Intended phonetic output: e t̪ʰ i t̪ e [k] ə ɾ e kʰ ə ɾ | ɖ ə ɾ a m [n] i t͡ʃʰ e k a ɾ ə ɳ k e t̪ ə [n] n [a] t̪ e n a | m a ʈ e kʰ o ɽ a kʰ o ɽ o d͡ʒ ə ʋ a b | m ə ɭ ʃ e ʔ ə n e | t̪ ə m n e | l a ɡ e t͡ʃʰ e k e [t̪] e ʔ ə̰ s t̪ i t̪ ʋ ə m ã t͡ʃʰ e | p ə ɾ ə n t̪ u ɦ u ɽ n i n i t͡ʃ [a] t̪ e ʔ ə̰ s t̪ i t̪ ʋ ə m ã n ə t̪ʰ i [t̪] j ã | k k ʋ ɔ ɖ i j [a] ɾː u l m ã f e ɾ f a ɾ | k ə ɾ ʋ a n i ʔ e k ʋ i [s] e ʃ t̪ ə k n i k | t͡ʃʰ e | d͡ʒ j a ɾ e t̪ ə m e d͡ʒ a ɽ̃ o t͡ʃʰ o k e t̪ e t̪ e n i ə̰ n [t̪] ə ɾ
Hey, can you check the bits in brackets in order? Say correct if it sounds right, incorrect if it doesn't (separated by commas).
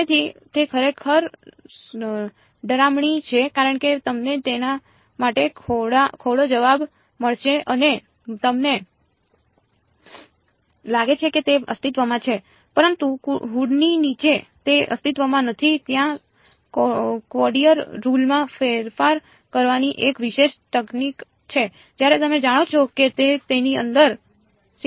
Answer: incorrect, incorrect, incorrect, incorrect, correct, incorrect, correct, incorrect, incorrect, incorrect